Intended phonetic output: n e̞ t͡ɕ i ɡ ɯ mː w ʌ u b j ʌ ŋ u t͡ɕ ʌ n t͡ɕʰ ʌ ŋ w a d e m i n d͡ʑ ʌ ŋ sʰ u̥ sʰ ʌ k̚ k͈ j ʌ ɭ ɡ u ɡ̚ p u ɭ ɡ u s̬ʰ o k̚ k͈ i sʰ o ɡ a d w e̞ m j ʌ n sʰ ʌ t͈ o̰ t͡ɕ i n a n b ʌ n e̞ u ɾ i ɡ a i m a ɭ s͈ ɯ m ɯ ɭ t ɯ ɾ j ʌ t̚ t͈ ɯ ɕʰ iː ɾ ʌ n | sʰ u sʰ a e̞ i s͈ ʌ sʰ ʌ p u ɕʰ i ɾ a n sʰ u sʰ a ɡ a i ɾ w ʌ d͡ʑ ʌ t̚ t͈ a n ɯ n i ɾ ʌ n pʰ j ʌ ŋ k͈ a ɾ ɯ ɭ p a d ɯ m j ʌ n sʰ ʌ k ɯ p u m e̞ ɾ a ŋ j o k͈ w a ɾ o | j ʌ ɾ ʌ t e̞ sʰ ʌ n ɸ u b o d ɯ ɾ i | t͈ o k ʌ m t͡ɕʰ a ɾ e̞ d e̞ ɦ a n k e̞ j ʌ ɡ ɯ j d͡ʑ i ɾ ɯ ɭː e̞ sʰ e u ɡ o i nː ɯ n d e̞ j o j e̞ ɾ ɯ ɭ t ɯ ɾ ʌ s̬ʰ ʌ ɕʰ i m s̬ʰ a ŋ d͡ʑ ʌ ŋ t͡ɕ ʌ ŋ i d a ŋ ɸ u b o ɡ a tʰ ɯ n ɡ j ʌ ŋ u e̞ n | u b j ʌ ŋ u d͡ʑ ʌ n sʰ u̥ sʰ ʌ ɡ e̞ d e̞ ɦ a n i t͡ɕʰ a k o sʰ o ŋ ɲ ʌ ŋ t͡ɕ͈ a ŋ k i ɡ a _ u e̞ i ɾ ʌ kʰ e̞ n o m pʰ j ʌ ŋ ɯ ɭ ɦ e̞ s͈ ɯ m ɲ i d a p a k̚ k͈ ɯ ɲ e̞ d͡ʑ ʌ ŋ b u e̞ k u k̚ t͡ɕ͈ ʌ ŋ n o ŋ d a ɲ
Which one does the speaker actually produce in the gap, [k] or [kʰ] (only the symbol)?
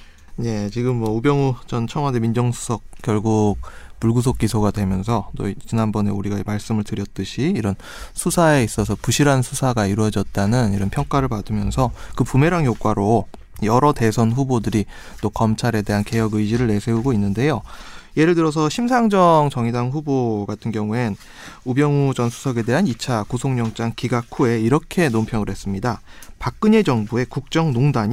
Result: kʰ